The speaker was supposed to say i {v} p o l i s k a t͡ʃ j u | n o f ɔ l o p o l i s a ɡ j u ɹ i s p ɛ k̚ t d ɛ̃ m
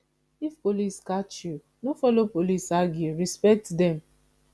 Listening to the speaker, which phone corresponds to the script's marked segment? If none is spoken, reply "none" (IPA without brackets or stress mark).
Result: f